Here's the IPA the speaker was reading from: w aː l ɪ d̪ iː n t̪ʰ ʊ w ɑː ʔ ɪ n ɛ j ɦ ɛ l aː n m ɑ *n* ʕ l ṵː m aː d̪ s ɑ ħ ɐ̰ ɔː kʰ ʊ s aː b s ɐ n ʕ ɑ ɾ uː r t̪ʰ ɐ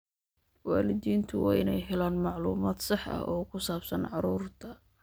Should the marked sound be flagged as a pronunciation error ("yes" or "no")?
yes